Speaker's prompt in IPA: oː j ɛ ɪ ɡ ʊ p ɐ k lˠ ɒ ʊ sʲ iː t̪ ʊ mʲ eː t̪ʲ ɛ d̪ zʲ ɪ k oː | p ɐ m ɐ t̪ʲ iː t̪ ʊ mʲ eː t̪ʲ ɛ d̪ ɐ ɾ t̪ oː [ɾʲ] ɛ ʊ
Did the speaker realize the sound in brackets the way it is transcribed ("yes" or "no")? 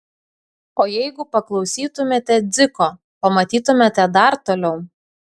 no